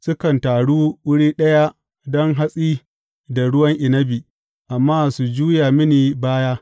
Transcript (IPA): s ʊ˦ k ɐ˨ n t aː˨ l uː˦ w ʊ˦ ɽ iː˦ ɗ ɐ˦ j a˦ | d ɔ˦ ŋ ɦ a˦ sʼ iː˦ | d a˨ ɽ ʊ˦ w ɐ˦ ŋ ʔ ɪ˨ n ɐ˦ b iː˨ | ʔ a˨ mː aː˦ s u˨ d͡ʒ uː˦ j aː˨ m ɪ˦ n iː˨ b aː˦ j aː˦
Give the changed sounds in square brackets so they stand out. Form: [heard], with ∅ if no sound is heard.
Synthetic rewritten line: s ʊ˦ k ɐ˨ n t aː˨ [ɽ] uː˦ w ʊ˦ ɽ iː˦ ɗ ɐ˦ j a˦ | d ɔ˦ ŋ ɦ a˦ sʼ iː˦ | d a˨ ɽ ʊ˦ w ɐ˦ ŋ ʔ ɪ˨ n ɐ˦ b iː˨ | ʔ a˨ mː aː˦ s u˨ d͡ʒ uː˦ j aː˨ m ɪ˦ n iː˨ b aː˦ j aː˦

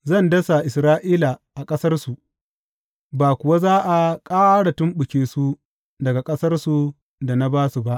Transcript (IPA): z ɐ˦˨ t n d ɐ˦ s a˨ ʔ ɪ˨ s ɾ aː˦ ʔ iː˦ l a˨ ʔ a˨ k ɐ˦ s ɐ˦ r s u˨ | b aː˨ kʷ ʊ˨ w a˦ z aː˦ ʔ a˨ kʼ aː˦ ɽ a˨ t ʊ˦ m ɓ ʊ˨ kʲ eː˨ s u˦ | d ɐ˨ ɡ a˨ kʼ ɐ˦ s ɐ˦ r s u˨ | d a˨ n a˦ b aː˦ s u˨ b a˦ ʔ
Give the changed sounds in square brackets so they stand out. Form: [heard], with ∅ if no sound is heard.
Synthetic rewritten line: z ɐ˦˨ [∅] n d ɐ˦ s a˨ ʔ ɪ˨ s ɾ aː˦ ʔ iː˦ l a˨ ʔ a˨ [kʼ] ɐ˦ s ɐ˦ r s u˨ | b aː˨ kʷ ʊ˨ w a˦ z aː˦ ʔ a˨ kʼ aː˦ ɽ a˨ t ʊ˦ m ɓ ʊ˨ kʲ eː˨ s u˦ | d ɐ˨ ɡ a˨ kʼ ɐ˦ s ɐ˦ r s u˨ | d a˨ n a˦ b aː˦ s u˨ b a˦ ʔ

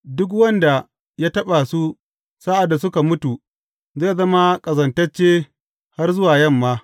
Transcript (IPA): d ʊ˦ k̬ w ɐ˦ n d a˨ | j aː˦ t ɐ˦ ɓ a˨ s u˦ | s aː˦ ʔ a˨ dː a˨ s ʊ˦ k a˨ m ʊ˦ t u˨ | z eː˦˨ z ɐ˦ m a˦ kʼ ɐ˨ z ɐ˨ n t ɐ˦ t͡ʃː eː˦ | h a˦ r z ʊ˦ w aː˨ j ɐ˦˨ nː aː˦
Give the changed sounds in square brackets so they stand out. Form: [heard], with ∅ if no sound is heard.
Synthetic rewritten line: d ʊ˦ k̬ w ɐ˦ n d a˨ | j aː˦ t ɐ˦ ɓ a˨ s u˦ | s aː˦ ʔ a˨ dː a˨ s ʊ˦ k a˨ m ʊ˦ t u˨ | z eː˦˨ z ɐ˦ m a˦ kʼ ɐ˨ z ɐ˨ n t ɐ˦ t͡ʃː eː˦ | h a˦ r z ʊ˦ w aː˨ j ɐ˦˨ [mː] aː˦

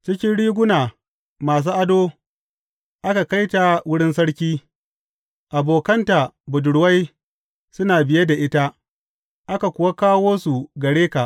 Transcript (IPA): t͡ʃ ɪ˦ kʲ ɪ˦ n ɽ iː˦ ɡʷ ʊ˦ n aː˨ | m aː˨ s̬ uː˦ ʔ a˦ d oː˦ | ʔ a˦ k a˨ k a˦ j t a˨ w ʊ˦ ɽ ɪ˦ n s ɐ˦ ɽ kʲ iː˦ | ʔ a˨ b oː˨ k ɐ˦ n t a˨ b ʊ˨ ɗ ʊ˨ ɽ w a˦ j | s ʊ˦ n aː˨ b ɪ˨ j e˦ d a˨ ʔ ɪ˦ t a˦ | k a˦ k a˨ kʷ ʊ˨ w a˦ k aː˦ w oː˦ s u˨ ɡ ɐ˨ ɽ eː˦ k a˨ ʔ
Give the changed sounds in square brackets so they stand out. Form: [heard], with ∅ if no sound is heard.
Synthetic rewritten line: t͡ʃ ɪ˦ kʲ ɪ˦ n ɽ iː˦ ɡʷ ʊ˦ n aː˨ | m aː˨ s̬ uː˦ ʔ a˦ d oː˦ | ʔ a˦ k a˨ k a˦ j t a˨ w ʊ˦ ɽ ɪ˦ n s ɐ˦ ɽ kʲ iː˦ | ʔ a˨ b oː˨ k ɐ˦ n t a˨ b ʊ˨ [d] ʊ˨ ɽ w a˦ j | s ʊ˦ n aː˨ b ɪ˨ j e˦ d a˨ ʔ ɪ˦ t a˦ | [ʔ] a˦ k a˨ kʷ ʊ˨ w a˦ k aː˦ w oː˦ s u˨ ɡ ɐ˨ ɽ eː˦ k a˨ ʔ

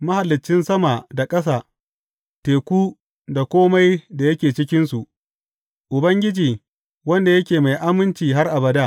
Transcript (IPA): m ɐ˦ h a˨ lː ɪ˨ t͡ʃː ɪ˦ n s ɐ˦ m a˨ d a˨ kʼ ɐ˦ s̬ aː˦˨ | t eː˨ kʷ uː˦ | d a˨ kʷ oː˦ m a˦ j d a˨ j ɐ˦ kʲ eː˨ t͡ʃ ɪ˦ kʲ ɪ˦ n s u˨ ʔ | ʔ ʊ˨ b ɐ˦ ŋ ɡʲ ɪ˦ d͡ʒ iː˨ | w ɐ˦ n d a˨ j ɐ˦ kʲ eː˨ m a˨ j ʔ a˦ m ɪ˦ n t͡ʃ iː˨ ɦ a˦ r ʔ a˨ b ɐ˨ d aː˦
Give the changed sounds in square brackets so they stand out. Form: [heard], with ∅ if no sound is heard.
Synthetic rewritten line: m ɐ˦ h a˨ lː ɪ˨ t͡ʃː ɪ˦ n s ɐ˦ m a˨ d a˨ kʼ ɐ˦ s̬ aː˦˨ | t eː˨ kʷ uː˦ | d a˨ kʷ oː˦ m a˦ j d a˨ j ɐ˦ kʲ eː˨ t͡ʃ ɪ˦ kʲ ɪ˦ n s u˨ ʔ | ʔ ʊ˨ b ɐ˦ ŋ ɡʲ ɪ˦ d͡ʒ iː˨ | w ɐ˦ n d a˨ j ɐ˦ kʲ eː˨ m a˨ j ʔ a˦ m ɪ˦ n t͡ʃ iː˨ ɦ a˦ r ʔ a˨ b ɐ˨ d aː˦

